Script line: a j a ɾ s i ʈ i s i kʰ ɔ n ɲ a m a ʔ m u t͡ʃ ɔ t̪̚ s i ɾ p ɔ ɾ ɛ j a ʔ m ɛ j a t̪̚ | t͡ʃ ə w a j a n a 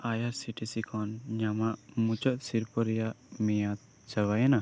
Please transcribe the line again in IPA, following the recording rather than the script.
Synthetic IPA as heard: a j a ɾ s i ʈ i s i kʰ ɔ n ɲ a m a ʔ m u t͡ʃ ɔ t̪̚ s i ɾ p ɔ ɾ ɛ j a ʔ m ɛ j a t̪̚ | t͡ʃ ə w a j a n a